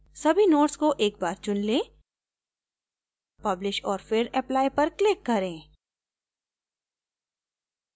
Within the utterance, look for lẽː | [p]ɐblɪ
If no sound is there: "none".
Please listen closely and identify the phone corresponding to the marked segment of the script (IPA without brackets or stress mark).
p